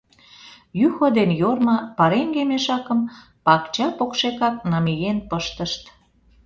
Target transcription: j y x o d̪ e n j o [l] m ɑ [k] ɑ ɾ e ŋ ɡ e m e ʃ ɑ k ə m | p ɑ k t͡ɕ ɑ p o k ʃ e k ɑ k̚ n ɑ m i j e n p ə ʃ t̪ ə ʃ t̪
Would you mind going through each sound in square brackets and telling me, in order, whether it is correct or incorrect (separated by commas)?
incorrect, incorrect